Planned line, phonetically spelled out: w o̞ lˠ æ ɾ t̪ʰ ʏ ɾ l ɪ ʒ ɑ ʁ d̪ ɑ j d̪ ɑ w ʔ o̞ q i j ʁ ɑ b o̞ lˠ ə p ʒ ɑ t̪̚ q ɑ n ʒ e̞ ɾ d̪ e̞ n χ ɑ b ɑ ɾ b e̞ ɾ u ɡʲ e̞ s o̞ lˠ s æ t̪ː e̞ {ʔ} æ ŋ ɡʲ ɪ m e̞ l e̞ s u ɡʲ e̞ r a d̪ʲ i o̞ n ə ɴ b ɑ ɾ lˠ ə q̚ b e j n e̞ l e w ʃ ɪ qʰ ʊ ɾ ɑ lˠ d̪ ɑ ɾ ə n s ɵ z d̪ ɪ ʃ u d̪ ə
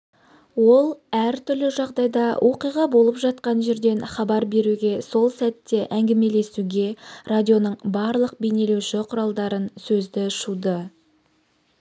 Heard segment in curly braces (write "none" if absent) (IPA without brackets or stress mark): ʔ